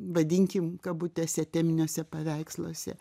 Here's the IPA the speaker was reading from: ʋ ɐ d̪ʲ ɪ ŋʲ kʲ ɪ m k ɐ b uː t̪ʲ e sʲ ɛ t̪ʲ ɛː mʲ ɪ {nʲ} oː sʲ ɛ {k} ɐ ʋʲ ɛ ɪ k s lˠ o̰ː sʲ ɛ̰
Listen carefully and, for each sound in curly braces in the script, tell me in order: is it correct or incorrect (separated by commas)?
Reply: correct, incorrect